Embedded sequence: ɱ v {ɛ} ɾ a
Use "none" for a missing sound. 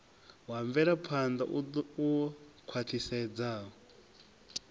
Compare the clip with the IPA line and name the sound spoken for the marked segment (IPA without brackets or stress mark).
ɛ